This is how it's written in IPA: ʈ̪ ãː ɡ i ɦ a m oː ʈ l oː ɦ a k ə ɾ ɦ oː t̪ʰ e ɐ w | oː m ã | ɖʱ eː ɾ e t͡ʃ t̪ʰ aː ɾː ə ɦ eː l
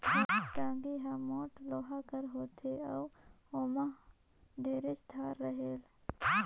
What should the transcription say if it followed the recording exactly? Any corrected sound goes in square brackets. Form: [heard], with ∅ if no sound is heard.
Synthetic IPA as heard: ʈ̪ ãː ɡ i ɦ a m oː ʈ l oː ɦ a k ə ɾ ɦ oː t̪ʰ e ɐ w | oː m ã | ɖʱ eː ɾ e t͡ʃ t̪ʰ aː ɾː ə ɦ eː l

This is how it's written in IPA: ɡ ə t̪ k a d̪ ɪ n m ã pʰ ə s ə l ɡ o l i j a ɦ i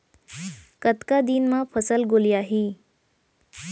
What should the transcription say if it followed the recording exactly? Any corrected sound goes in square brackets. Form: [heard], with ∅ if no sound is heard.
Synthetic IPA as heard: [k] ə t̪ k a d̪ [i] n m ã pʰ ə s ə l ɡ o l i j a ɦ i

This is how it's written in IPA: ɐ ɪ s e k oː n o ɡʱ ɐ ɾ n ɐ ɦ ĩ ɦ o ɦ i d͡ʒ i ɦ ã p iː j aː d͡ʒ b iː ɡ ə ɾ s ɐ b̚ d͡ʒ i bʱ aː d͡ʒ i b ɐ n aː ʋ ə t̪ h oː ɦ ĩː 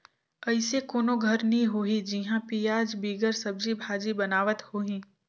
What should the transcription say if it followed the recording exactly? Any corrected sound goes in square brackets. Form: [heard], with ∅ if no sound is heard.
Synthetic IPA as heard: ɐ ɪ s e k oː n o ɡʱ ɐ ɾ n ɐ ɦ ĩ ɦ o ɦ i d͡ʒ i ɦ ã p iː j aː d͡ʒ b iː ɡ ə ɾ s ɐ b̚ d͡ʒ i bʱ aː d͡ʒ i b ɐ n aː ʋ ə t̪ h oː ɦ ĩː

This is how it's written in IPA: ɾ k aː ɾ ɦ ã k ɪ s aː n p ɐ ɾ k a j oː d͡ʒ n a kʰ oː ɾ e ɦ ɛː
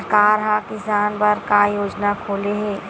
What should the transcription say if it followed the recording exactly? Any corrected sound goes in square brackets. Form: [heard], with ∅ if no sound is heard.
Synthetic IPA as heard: ɾ k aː ɾ ɦ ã k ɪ s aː n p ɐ ɾ k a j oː d͡ʒ n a kʰ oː [l] e ɦ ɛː

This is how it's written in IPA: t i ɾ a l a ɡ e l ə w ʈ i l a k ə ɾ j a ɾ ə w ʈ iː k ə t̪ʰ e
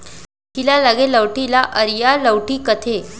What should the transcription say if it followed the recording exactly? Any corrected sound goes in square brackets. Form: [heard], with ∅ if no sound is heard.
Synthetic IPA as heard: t i [l] a l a ɡ e l ə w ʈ i l a [ʔ] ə ɾ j a [l] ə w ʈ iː k ə t̪ʰ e

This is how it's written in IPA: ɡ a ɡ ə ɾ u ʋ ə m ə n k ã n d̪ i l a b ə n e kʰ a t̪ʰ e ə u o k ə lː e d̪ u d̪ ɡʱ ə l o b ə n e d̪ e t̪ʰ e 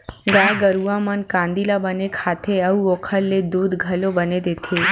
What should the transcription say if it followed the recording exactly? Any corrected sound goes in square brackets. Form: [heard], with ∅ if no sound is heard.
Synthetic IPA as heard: ɡ a ɡ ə ɾ u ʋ [a] m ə n k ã n d̪ i l a b ə n e kʰ a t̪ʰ e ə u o [kʰ] ə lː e d̪ u d̪ ɡʱ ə l o b ə n e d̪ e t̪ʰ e

